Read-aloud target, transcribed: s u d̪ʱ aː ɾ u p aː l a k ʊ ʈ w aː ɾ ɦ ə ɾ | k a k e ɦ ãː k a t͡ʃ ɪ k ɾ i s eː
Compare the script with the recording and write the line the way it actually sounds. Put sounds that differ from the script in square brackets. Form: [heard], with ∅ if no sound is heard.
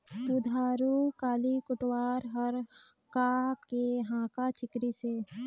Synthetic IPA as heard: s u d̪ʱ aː ɾ u [k] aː l [i] k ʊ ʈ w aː ɾ ɦ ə ɾ | k a k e ɦ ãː k a t͡ʃ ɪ k ɾ i s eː

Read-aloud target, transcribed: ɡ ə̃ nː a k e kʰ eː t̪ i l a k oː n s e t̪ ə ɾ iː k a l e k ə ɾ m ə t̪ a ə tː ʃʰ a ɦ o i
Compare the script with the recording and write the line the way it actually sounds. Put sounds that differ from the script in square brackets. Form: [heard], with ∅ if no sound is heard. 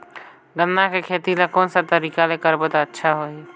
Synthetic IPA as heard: ɡ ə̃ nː a k e kʰ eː t̪ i l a k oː n s [a] t̪ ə ɾ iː k a l e k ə ɾ [b] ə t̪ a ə tː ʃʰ a ɦ o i

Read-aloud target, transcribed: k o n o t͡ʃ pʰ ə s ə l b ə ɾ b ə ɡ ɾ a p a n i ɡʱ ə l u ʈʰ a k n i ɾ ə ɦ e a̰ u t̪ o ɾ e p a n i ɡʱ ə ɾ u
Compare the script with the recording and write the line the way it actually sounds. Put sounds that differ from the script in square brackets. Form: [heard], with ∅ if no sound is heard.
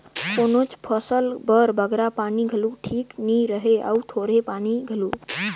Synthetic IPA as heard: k o n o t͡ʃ pʰ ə s ə l b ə ɾ b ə ɡ ɾ a p a n i ɡʱ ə l u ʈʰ [i] k n i ɾ ə ɦ e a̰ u [t̪ʰ] o ɾ e p a n i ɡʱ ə [l] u

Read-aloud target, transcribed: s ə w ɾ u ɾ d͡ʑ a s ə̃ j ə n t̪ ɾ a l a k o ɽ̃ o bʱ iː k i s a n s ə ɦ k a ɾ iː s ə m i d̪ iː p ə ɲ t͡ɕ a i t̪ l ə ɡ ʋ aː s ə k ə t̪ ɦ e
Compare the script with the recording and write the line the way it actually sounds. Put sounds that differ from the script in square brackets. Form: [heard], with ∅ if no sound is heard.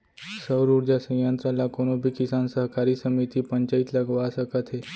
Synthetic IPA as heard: s ə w ɾ u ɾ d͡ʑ a s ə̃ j ə n t̪ ɾ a l a k o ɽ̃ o bʱ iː k i s a n s ə ɦ k a ɾ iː s ə m i [t̪] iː p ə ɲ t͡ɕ a i t̪ l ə ɡ ʋ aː s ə k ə t̪ ɦ e

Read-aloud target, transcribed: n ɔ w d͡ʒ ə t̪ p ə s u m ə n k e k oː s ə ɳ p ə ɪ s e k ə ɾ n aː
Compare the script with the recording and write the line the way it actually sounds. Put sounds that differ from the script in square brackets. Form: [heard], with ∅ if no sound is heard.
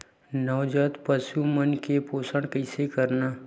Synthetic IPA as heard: n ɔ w d͡ʒ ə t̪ p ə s u m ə n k e [p] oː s ə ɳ [k] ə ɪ s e k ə ɾ n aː

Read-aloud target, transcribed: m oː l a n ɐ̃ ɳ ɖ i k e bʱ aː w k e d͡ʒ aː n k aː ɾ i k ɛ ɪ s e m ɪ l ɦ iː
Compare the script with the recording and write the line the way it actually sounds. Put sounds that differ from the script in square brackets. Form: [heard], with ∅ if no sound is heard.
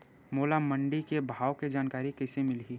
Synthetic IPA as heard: m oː l a [m] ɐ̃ ɳ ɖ i k e bʱ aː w k e d͡ʒ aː n k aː ɾ i k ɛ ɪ s e m ɪ l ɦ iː

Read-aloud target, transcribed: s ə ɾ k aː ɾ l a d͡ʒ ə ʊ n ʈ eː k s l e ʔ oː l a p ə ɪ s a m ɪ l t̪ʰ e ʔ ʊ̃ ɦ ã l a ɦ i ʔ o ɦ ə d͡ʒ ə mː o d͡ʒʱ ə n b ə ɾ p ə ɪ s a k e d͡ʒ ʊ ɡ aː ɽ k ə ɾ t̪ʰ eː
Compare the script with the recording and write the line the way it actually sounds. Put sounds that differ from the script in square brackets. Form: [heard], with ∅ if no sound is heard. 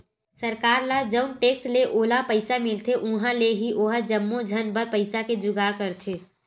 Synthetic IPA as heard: s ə ɾ k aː ɾ l a d͡ʒ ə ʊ n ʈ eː k s l e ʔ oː l a p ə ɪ s a m ɪ l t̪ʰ e ʔ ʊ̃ ɦ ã l [e] ɦ i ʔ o ɦ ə d͡ʒ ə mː o d͡ʒʱ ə n b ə ɾ p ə ɪ s a k e d͡ʒ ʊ ɡ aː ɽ k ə ɾ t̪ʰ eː

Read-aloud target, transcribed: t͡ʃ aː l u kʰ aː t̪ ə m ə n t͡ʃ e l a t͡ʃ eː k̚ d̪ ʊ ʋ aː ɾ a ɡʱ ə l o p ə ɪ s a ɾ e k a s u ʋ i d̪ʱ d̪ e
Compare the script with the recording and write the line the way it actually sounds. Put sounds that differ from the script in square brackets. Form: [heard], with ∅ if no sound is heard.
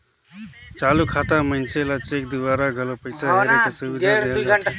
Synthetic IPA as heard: t͡ʃ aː l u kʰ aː t̪ [a] m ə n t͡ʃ e l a t͡ʃ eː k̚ d̪ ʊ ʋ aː ɾ a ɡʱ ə l o p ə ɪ s a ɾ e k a s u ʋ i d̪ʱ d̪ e

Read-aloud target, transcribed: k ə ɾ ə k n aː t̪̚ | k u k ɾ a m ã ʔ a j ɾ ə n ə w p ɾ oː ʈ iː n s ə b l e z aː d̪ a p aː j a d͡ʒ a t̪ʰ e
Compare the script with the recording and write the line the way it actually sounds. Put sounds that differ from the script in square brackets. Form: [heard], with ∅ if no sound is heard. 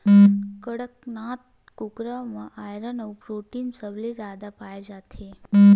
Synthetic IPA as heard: k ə [ɽ] ə k n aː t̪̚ | k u k ɾ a m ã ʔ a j ɾ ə n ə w p ɾ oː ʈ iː n s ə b l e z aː d̪ a p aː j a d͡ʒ a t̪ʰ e

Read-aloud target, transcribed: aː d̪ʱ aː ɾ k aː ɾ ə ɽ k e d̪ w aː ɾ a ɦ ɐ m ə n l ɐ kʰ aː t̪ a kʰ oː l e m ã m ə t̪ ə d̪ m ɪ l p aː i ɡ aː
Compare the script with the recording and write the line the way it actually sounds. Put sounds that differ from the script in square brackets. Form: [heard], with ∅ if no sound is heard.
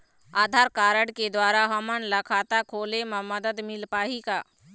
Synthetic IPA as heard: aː d̪ʱ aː ɾ k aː ɾ ə ɽ k e d̪ w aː ɾ a ɦ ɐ m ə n l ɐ kʰ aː t̪ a kʰ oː l e m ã m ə [d̪] ə d̪ m ɪ l p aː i [k] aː

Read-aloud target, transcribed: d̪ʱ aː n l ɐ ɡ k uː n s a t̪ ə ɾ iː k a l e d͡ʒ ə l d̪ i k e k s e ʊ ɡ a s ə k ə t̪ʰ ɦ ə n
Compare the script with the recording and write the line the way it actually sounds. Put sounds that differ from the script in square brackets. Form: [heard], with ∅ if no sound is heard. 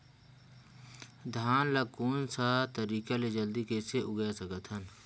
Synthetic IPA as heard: d̪ʱ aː n l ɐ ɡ k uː n s a t̪ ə ɾ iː k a l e d͡ʒ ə l d̪ i k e [∅] s e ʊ ɡ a s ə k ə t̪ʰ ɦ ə n

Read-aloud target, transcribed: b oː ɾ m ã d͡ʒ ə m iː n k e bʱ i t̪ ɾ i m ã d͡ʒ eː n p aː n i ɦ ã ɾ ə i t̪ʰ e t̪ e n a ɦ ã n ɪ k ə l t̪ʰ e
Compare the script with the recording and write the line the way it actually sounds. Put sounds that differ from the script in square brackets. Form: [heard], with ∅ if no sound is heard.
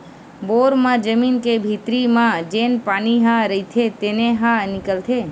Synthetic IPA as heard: b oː ɾ m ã d͡ʒ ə m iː n k e bʱ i t̪ ɾ i m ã d͡ʒ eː n p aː n i ɦ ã ɾ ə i t̪ʰ e t̪ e n [e] ɦ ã n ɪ k ə l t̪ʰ e

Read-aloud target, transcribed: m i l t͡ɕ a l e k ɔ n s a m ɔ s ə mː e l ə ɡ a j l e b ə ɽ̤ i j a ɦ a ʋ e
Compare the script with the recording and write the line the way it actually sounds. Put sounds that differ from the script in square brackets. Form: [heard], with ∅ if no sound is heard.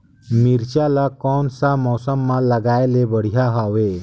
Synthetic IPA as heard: m i [ɾ] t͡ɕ a l [a] k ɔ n s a m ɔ s ə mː [a] l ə ɡ a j l e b ə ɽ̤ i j a ɦ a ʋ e

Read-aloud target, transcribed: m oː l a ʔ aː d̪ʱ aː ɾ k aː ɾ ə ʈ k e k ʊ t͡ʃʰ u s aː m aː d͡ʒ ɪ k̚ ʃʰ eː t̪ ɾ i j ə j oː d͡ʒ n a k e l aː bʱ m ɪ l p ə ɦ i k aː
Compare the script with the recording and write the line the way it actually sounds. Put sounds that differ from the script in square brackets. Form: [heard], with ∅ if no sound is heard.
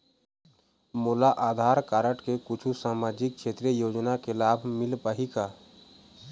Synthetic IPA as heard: m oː l a ʔ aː d̪ʱ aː ɾ k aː ɾ ə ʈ k e k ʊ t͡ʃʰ u s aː m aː d͡ʒ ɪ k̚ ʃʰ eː t̪ ɾ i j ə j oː d͡ʒ n a k e l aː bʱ m ɪ l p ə ɦ i k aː

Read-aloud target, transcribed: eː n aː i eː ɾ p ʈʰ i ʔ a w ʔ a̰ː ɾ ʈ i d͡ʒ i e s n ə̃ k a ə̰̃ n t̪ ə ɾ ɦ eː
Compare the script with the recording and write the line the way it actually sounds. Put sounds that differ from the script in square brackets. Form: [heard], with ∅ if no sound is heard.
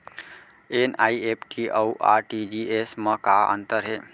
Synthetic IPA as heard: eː n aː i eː [∅] p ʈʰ i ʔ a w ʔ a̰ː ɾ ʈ i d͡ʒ i e s [m] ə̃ k a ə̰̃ n t̪ ə ɾ ɦ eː

